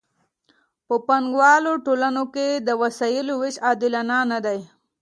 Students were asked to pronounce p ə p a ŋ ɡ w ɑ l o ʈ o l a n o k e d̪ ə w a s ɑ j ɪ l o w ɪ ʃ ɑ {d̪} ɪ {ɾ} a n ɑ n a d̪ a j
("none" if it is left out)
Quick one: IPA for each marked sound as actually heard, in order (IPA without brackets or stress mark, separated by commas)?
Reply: d̪, l